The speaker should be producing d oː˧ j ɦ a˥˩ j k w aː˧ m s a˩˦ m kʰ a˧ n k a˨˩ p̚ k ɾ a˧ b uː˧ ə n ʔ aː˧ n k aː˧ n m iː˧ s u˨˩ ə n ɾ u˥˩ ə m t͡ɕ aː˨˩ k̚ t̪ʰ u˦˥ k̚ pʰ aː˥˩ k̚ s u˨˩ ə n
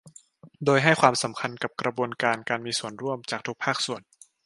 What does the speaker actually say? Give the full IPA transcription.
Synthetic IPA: d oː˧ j ɦ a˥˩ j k w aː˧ m s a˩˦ m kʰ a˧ n k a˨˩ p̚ k ɾ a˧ b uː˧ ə n k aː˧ n k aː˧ n m iː˧ s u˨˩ ə n ɾ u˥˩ ə m t͡ɕ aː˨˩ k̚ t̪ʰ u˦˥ k̚ pʰ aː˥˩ k̚ s u˨˩ ə n